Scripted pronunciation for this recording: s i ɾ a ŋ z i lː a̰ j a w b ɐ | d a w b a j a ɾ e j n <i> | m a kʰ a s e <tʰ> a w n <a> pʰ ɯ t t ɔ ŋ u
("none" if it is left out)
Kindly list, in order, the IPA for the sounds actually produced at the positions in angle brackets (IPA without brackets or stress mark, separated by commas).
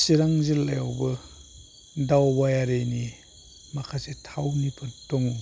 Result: i, tʰ, i